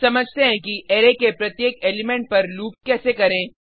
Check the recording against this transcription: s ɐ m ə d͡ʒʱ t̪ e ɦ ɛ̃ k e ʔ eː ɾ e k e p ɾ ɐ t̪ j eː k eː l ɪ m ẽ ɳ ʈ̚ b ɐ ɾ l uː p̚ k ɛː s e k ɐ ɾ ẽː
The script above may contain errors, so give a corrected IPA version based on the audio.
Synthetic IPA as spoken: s ɐ m ə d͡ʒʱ t̪ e ɦ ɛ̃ k i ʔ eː ɾ e k e p ɾ ɐ t̪ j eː k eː l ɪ m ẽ ɳ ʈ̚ p ɐ ɾ l uː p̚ k ɛː s e k ɐ ɾ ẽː

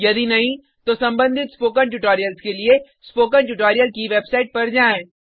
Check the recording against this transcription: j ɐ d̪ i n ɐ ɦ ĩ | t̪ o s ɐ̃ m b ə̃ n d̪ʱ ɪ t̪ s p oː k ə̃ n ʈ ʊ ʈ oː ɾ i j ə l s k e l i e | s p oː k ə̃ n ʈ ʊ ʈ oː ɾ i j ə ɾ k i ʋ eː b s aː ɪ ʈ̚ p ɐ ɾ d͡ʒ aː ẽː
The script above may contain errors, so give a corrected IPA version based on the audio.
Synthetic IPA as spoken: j ɐ d̪ i n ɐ ɦ ĩ | t̪ o s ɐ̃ m b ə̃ n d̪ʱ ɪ t̪ s p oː k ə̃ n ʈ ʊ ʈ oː ɾ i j ə l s k e l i e | s p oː k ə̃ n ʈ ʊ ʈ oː ɾ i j ə l k i ʋ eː b s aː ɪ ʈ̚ p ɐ ɾ d͡ʒ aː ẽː

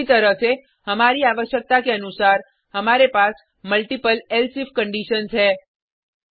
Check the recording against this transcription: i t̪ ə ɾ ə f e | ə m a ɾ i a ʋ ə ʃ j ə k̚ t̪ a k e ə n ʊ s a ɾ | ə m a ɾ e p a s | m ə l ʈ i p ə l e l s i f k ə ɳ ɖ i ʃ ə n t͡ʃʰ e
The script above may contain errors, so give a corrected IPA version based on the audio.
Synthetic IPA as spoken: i t̪ ə ɾ ə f e | ə m a ɾ i a ʋ ə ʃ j ə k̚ t̪ a k e ə n u s a ɾ | ə m a ɾ e p a s | m ə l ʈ i p ə l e l s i f k ə ɳ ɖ i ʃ ə n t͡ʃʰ e

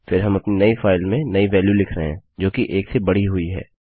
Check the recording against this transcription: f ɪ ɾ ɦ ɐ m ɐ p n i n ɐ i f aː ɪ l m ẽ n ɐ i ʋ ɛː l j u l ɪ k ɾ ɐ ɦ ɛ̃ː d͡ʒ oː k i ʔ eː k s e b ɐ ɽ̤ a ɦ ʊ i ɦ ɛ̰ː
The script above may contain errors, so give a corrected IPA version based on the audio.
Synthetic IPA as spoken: f ɪ ɾ ɦ ɐ m ɐ p n i n ɐ i f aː ɪ l m ẽ n ɐ i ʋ ɛː l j u l ɪ kʰ ɾ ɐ ɦ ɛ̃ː d͡ʒ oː k i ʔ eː k s e b ɐ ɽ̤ i ɦ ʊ i ɦ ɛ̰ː

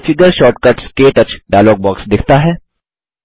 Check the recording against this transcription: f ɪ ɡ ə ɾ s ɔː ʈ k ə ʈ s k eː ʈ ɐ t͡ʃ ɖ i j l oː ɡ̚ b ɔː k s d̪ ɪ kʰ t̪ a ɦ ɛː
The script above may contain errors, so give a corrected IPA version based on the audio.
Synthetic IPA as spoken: f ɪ ɡ ə ɾ ʃ ɔː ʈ k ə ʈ s k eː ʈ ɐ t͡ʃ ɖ a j l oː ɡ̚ b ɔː k s d̪ ɪ kʰ t̪ a ɦ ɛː

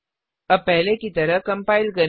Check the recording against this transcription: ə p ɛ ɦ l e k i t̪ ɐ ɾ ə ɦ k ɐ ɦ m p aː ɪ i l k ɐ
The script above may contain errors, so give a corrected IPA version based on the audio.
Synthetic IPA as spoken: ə p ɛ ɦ l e k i t̪ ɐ ɾ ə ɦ k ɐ m p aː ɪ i l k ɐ

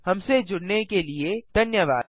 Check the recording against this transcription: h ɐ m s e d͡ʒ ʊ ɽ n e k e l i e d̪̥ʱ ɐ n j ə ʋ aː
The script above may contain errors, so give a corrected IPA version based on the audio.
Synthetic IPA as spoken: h ɐ m s e d͡ʒ ʊ ɽ n e k e l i e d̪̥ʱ ɐ n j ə ʋ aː

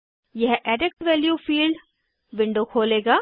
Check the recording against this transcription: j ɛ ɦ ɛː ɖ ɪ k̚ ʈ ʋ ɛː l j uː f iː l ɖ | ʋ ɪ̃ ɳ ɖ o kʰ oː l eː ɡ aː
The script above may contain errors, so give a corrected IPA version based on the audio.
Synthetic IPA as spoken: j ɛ ɦ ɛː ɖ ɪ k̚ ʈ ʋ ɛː l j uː f iː l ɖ | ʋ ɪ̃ ɳ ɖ o kʰ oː l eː ɡ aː

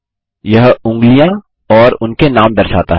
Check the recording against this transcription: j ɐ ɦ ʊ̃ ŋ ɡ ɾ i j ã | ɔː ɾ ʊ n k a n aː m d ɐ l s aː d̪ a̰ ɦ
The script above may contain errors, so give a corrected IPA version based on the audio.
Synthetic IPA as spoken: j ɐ ɦ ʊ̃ ŋ ɡ l i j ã | ɔː ɾ ʊ n k e n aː m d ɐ ɾ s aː t̪ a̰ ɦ

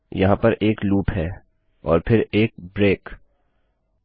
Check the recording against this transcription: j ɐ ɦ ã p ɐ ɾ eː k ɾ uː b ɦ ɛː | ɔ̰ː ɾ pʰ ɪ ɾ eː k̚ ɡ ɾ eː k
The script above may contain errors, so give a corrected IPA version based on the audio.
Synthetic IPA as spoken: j ɐ ɦ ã p ɐ ɾ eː k l uː p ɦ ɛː | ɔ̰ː ɾ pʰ ɪ ɾ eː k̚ b ɾ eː k

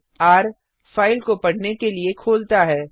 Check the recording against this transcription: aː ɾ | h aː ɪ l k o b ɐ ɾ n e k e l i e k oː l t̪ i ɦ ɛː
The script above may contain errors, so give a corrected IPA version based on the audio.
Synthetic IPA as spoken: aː ɾ | f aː ɪ l k o p ɐ ɽ n e k e l i e kʰ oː l t̪ a ɦ ɛː

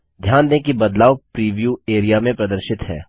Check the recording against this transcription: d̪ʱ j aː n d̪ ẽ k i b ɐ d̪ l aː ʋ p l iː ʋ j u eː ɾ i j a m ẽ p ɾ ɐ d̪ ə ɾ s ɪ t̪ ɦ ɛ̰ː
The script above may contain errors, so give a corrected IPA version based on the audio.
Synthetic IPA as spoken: d̪ʱ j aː n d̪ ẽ k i b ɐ d̪ l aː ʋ p ɾ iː ʋ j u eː ɾ i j a m ẽ p ɾ ɐ d̪ ə ɾ ʃ ɪ t̪ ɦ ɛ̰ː

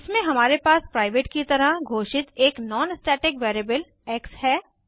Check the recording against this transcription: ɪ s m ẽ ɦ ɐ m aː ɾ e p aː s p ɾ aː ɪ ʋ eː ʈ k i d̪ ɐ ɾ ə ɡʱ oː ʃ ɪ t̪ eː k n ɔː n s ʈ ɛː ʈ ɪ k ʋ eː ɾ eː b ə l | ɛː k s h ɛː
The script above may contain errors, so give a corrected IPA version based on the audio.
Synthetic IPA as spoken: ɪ s m ẽ ɦ ɐ m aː ɾ e p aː s p ɾ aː ɪ ʋ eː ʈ k i t̪ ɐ ɾ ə ɡʱ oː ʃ ɪ t̪ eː k n ɔː n s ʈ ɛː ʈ ɪ k ʋ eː ɾ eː b ə l | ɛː k s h ɛː

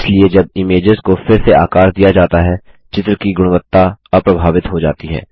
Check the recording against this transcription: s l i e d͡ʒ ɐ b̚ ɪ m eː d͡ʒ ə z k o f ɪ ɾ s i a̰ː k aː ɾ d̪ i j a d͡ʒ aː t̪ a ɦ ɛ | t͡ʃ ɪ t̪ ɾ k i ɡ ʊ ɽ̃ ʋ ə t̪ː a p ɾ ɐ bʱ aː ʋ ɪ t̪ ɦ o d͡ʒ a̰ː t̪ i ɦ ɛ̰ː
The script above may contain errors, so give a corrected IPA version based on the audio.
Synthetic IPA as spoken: s l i e d͡ʒ ɐ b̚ ɪ m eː d͡ʒ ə z k o f ɪ ɾ s e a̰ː k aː ɾ d̪ i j a d͡ʒ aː t̪ a ɦ ɛ | t͡ʃ ɪ t̪ ɾ k i ɡ ʊ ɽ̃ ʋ ə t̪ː a p ɾ ɐ bʱ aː ʋ ɪ t̪ ɦ o d͡ʒ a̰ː t̪ i ɦ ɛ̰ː

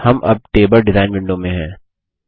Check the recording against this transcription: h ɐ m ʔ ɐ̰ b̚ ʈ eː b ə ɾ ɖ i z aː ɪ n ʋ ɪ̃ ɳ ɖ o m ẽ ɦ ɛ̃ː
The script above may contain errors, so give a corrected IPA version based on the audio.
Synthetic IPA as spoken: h ɐ m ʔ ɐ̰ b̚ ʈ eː b ə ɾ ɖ ɪ z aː ɪ n ʋ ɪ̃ ɳ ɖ o m ẽ ɦ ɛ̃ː

